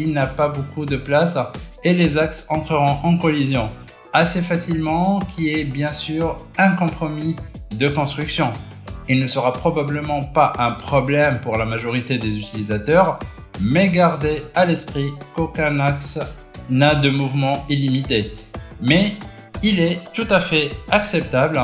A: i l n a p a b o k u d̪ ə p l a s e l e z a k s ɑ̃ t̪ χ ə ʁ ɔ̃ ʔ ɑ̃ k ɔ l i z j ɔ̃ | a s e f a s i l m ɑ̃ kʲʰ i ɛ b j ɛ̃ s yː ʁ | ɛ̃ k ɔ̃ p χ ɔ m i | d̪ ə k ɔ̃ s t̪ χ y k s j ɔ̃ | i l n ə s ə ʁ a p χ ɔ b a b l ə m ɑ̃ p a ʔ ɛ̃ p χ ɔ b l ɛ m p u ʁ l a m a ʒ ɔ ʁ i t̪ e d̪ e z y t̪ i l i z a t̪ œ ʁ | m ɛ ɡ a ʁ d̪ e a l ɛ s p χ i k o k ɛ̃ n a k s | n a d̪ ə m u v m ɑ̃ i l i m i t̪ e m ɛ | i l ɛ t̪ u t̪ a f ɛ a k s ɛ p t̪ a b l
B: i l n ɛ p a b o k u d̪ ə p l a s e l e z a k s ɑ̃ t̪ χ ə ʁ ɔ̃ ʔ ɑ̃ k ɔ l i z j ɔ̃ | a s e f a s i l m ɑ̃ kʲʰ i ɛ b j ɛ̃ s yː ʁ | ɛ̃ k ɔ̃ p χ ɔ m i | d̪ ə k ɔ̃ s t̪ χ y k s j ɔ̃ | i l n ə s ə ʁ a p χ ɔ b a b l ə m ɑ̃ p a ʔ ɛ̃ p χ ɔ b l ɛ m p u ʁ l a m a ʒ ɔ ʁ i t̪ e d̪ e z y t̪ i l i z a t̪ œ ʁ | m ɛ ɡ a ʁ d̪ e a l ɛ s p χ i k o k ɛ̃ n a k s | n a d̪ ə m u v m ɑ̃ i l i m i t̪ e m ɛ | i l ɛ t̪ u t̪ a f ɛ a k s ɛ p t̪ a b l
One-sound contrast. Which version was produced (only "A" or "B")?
A